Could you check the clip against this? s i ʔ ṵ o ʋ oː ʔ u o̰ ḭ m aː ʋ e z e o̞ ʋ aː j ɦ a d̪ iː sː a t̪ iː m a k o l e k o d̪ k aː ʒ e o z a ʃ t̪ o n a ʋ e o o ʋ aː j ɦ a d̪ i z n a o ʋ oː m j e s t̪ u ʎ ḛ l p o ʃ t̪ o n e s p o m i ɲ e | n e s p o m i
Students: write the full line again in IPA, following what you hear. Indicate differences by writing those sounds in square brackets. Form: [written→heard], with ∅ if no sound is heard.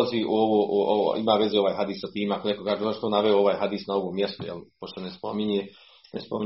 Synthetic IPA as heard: [s→z] i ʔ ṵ o ʋ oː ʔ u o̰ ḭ m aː ʋ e z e o̞ ʋ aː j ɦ a d̪ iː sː a t̪ iː m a k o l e k o [d̪→∅] k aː ʒ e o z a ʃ t̪ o n a ʋ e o o ʋ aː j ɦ a d̪ i [z→s] n a o ʋ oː m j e s t̪ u [ʎ→j] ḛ l p o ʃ t̪ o n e s p o m i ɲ e | n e s p o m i